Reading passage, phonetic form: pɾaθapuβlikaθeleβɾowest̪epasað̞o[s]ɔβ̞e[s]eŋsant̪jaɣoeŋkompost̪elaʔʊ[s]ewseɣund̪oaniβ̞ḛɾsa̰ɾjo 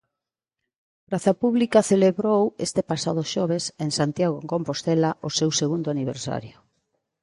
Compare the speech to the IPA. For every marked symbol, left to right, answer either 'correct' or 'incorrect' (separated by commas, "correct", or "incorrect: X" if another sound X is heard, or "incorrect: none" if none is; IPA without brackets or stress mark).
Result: incorrect: ʃ, correct, correct